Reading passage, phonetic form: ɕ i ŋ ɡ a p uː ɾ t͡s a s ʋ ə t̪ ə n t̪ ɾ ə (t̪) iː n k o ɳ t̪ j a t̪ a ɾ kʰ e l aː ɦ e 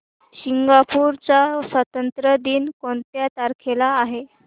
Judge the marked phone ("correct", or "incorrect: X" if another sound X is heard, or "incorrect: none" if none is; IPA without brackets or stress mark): incorrect: d̪